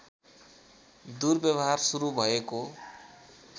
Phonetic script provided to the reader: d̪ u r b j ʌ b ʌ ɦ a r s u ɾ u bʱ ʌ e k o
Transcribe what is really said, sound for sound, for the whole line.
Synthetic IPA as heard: d̪ u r b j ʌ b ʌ ɦ a r s u ɾ u bʱ ʌ e k o